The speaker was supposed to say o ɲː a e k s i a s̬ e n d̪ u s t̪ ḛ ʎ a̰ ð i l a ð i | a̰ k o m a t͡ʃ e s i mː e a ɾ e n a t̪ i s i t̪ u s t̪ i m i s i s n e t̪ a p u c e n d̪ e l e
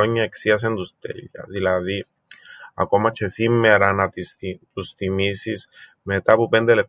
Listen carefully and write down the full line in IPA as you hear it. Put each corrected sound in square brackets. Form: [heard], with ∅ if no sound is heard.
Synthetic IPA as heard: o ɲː a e k s i a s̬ e n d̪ u s t̪ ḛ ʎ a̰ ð i l a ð i | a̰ k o m a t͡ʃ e s i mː e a ɾ [a] n a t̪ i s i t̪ u s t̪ i m i s i s [m] e t̪ a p u [p] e n d̪ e l e